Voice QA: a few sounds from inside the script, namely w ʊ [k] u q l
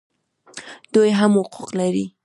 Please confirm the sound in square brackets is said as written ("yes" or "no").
no